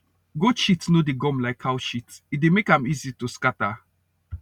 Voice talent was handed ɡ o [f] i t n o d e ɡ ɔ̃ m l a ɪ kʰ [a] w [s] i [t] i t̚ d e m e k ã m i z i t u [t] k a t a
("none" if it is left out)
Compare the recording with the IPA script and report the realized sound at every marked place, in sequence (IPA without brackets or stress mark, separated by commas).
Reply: ʃ, a, ʃ, t, s